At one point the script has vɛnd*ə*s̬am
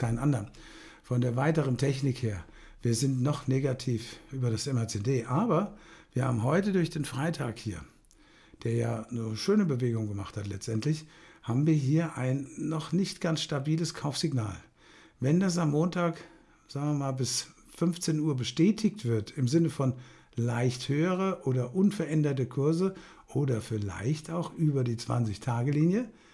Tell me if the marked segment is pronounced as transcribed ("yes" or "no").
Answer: no